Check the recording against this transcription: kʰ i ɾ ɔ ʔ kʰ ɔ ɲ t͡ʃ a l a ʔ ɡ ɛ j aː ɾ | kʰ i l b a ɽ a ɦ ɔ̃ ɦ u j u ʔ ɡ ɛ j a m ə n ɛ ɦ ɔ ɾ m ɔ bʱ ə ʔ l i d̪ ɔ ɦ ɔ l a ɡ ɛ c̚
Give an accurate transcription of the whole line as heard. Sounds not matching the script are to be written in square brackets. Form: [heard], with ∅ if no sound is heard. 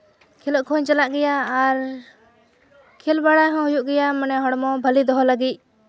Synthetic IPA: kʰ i [l] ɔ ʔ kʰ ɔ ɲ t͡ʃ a l a ʔ ɡ ɛ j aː ɾ | kʰ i l b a ɽ a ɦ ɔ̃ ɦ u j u ʔ ɡ ɛ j a m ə n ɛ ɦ ɔ [ɽ] m ɔ bʱ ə [∅] l i d̪ ɔ ɦ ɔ l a ɡ [i] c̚